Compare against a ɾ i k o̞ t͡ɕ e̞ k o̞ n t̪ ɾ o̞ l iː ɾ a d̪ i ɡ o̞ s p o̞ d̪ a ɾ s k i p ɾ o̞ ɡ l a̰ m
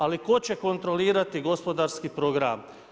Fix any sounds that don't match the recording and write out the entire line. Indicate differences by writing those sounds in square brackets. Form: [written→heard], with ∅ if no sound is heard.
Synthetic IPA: a [ɾ→l] i k o̞ t͡ɕ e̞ k o̞ n t̪ ɾ o̞ l iː ɾ a [d̪→t̪] i ɡ o̞ s p o̞ d̪ a ɾ s k i p ɾ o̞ ɡ [l→ɾ] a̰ m